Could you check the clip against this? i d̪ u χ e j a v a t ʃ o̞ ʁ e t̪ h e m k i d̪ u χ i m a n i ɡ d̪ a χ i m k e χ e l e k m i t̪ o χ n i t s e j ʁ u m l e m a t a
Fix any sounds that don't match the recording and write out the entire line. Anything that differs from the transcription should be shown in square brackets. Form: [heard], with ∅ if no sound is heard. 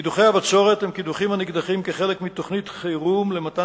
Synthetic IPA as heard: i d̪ u χ e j a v a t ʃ o̞ ʁ e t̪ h e m k i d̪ u χ i m a n i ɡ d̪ a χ i m k e χ e l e k m i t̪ o χ n i t [χ] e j ʁ u m l e m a t a

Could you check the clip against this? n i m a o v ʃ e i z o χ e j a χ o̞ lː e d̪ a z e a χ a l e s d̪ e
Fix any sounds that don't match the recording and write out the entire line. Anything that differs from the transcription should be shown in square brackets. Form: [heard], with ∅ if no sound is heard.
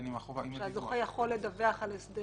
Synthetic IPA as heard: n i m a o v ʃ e [a] z o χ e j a χ o̞ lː e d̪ a [v] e a χ a l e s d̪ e

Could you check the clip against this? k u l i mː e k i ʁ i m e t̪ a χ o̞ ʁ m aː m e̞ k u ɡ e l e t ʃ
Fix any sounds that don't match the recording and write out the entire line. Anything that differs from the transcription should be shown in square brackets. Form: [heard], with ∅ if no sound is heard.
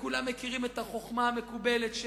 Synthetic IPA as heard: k u l [a] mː e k i ʁ i m e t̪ a χ o̞ [χ] m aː m e̞ k u [b] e l e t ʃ

